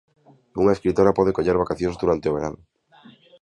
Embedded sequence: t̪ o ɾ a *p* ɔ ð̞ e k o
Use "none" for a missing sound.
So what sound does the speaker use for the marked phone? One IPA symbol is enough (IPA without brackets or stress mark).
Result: p